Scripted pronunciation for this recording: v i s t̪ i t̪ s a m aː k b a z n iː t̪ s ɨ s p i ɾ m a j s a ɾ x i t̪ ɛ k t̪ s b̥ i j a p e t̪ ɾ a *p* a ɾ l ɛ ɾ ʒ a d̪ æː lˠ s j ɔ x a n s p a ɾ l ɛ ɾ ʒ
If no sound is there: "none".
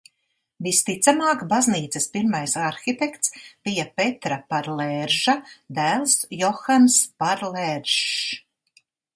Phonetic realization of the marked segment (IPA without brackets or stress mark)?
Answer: p